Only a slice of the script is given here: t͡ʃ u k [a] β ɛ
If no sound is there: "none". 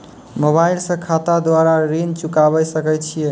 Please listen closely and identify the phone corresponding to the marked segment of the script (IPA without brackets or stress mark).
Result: a